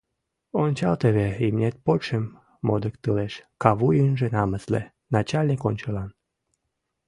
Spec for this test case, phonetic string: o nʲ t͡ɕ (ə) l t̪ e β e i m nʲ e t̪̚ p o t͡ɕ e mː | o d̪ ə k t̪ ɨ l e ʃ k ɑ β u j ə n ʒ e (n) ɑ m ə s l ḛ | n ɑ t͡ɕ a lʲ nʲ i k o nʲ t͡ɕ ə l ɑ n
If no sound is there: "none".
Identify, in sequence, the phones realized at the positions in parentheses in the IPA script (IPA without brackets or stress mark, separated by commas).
ɑ, n